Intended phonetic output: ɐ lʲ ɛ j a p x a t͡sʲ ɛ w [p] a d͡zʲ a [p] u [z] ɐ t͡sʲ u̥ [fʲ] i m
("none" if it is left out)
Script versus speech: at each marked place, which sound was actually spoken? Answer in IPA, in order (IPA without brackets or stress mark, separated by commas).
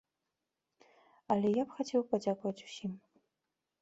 p, k, v, sʲ